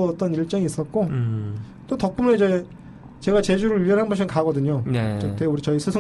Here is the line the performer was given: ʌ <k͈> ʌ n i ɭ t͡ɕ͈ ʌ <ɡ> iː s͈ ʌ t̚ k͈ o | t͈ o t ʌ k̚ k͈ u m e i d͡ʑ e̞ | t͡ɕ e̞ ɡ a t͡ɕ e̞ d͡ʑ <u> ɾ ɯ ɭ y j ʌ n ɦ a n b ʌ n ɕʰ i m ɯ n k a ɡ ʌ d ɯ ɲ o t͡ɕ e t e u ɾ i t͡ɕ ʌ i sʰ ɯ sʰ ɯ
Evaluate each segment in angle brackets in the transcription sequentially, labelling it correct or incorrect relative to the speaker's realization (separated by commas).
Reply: incorrect, incorrect, correct